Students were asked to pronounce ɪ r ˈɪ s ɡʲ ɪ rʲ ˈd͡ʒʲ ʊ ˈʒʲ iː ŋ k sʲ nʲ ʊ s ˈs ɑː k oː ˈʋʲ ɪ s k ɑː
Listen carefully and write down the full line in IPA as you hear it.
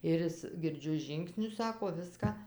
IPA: ɪ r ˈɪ s ɡʲ ɪ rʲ ˈd͡ʒʲ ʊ ˈʒʲ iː ŋ k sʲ nʲ ʊ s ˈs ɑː k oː ˈʋʲ ɪ s k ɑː